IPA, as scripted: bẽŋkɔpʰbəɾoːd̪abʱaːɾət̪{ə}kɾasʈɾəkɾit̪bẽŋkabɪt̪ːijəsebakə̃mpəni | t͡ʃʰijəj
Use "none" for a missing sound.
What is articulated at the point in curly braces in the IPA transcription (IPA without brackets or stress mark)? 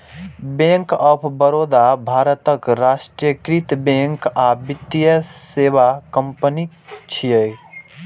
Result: ə